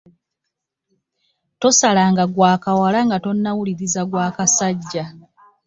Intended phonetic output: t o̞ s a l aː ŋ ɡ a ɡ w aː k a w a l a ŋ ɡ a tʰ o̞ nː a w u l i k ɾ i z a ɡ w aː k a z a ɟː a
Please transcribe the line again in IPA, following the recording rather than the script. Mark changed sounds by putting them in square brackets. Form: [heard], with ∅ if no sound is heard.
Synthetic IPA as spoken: t o̞ s a l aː ŋ ɡ a ɡ w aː k a w a l a ŋ ɡ a [t] o̞ nː a w u l i [∅] ɾ i z a ɡ w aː k a [s] a ɟː a